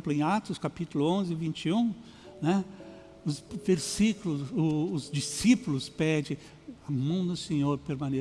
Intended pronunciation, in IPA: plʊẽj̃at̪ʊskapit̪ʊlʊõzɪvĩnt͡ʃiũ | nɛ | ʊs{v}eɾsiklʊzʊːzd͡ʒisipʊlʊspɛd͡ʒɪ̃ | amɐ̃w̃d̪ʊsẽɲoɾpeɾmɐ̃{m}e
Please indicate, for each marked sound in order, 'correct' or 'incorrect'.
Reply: correct, incorrect: n

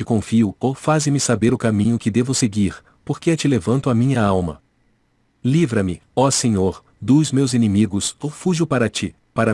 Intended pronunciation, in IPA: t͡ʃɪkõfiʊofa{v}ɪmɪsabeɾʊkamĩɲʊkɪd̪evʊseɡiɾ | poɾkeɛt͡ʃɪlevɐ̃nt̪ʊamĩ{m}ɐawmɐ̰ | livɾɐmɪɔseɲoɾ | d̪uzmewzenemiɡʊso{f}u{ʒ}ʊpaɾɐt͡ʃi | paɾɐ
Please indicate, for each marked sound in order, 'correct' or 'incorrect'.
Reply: incorrect: z, incorrect: ɲ, correct, correct

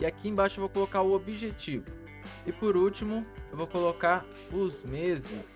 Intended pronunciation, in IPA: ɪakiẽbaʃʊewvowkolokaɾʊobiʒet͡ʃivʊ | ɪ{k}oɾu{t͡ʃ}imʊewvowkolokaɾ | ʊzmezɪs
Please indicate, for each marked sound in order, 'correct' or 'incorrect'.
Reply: incorrect: p, correct

